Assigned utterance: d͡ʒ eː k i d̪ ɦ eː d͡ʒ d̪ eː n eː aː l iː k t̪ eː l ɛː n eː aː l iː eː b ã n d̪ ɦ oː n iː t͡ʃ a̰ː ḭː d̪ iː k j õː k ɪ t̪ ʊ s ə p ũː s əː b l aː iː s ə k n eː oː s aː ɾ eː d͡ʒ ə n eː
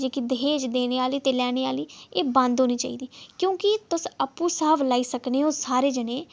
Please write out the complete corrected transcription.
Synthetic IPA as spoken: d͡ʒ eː k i d̪ ɦ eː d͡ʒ d̪ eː n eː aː l iː t̪ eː l ɛː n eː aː l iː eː b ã n d̪ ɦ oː n iː t͡ʃ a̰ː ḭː d̪ iː k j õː k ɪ t̪ ʊ s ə p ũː s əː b l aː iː s ə k n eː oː s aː ɾ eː d͡ʒ ə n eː

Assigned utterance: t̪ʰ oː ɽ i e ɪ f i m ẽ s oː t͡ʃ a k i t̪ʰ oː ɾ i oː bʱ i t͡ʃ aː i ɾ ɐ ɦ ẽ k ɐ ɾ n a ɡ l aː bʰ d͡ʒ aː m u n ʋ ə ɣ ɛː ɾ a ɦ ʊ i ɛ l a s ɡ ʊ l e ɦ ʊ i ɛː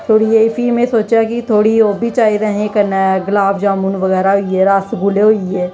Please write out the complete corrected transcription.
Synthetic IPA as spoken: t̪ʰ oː ɽ i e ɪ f i m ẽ s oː t͡ʃ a k i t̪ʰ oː ɽ i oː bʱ i t͡ʃ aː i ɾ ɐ ɦ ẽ k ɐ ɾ n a ɡ l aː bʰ d͡ʒ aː m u n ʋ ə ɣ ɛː ɾ a ɦ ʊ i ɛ ɾ a s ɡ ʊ l e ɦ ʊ i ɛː

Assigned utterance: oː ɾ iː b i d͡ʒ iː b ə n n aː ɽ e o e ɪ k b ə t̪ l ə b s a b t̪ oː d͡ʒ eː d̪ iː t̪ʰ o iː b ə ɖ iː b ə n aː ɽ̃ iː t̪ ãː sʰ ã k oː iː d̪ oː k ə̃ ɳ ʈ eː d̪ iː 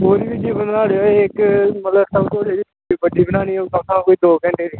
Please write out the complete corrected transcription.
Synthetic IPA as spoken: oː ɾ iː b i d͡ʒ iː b ə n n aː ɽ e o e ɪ k m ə t̪ l ə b s ə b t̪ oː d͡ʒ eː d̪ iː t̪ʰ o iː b ə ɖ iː b ə n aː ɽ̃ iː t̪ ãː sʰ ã k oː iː d̪ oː k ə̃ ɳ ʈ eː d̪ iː

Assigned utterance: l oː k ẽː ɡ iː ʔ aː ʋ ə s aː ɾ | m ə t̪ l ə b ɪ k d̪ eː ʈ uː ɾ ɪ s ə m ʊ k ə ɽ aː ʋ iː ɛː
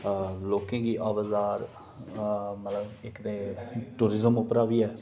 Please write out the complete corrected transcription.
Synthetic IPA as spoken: l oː k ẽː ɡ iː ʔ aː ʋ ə z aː ɾ | m ə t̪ l ə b ɪ k d̪ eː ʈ uː ɾ ɪ z ə m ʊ p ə ɾ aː ʋ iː ɛː

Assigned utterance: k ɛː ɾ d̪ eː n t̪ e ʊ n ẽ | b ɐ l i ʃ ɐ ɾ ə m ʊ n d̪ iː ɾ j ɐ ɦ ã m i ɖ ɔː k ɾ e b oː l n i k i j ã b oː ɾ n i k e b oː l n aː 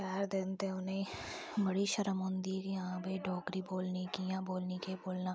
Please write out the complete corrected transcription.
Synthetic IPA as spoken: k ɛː ɾ d̪ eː n t̪ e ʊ n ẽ | b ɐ ɽ i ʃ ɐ ɾ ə m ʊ n d̪ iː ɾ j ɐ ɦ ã b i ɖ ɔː k ɾ i b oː l n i k i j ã b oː l n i k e b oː l n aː

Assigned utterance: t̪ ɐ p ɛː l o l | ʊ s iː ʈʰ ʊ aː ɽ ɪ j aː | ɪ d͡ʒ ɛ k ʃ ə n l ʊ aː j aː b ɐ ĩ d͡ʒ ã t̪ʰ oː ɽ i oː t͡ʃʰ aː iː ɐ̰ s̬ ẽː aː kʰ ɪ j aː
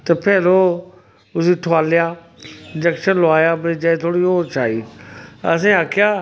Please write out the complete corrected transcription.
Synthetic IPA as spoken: t̪ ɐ p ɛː l o | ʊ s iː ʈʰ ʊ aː l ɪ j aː | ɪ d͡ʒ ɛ k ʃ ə n l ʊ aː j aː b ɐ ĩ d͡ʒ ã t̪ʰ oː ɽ i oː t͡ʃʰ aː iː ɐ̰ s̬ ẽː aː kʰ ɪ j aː

